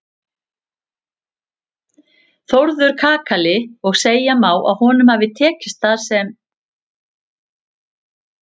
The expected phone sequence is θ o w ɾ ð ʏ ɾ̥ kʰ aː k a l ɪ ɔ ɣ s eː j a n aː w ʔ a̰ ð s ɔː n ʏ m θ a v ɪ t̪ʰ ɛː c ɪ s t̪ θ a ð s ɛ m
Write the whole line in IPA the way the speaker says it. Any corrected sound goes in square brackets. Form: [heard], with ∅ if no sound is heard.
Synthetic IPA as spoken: θ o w ɾ ð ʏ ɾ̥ kʰ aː k a l ɪ ɔ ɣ s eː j a [m] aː w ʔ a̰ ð [h] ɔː n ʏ m [h] a v ɪ t̪ʰ ɛː c ɪ s t̪ θ a ð s ɛ m